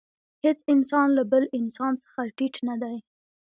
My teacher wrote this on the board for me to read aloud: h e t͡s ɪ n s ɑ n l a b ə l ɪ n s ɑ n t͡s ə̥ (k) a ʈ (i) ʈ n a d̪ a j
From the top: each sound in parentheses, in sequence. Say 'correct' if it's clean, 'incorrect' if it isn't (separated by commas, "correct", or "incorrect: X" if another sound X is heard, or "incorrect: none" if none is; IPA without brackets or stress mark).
incorrect: x, correct